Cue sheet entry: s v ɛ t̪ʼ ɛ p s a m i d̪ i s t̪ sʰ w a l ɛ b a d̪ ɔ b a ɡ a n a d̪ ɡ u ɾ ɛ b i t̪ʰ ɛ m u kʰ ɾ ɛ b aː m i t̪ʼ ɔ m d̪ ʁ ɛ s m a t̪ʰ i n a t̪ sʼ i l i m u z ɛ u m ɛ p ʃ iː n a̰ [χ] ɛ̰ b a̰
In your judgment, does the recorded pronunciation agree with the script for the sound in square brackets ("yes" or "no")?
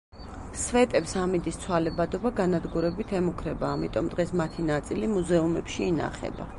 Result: yes